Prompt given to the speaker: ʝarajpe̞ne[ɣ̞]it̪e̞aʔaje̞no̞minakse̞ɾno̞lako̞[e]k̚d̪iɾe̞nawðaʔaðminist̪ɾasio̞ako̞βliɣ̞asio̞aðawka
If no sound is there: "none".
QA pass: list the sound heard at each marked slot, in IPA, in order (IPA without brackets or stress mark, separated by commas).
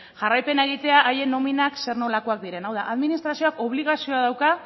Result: ɣ̞, a